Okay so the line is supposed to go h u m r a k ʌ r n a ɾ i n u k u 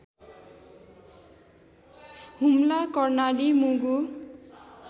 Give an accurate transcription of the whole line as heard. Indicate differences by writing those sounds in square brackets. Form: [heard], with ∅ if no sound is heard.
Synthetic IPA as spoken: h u m [l] a k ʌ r n a [l] i [m] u [ɡ] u